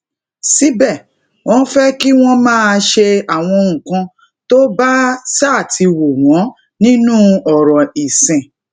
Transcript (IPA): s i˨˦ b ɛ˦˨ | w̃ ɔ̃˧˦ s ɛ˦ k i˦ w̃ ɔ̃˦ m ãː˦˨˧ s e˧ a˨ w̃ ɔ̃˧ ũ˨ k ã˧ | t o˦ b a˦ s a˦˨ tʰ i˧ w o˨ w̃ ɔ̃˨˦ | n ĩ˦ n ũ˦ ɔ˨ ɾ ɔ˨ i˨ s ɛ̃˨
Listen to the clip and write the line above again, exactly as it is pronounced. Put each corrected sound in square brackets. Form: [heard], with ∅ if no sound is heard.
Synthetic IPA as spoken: s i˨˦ b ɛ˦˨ | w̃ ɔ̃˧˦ [f] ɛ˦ k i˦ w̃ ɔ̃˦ m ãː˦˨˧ [ʃ] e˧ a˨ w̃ ɔ̃˧ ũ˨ k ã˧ | t o˦ b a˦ s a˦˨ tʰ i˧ w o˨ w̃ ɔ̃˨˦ | n ĩ˦ n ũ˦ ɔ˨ ɾ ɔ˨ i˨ s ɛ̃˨

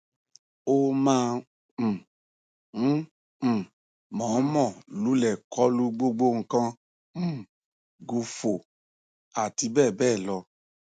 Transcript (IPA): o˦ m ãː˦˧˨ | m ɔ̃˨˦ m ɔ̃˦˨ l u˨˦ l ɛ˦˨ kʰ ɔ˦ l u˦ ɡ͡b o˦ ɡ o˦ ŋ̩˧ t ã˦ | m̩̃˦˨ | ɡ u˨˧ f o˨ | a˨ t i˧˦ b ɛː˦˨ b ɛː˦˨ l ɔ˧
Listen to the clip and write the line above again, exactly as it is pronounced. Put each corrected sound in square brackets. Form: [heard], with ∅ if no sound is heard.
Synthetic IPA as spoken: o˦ m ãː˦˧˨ | m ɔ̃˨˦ m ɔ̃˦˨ l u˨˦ l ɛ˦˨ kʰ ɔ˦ l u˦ ɡ͡b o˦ [ɡ͡b] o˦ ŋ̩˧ [k] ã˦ | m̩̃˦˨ | ɡ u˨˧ f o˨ | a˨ t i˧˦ b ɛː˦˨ b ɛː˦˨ l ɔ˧

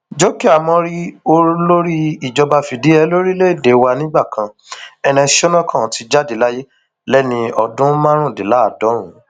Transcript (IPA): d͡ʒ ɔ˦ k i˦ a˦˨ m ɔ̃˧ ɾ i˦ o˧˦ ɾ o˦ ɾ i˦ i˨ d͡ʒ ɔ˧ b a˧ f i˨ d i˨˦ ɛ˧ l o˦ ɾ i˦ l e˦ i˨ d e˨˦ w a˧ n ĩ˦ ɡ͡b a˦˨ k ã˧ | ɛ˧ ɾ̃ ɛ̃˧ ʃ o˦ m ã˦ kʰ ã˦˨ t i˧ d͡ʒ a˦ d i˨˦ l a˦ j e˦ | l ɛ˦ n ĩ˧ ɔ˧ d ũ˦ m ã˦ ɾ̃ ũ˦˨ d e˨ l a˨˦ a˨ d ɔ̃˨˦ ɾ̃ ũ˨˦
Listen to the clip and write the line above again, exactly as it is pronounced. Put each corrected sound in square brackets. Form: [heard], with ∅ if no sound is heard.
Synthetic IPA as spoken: d͡ʒ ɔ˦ k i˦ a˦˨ m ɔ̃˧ ɾ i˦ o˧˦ [l] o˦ ɾ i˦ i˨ d͡ʒ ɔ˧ b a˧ f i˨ d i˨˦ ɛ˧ l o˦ ɾ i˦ l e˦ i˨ d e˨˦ w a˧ n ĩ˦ ɡ͡b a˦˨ k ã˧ | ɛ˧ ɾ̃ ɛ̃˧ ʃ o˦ [n] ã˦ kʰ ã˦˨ t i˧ d͡ʒ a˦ d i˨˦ l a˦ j e˦ | l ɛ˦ n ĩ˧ ɔ˧ d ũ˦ m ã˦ ɾ̃ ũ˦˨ d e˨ l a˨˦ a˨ d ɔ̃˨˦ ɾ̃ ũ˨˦

